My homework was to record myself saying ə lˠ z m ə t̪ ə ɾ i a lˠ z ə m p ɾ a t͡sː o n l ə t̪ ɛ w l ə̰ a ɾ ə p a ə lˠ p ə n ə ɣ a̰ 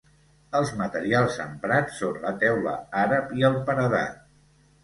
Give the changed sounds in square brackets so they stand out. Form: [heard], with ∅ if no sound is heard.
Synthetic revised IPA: ə lˠ z m ə t̪ ə ɾ i a lˠ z ə m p ɾ a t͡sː o n l ə t̪ ɛ w l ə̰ a ɾ ə p [i] ə lˠ p ə n ə [ð] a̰